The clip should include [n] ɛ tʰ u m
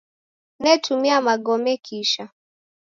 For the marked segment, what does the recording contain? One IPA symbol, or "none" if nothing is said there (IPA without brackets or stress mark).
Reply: n